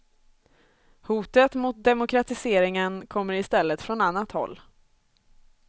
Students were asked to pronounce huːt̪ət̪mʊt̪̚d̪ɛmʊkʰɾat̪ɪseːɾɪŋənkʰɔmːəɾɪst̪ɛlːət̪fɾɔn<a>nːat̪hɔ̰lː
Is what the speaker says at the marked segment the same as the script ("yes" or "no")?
yes